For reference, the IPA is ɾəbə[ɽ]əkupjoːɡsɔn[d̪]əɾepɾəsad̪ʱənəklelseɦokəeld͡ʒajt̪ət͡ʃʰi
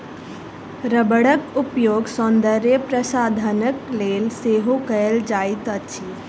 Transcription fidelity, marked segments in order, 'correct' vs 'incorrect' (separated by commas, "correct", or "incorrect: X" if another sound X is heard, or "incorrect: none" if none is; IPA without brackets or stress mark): correct, correct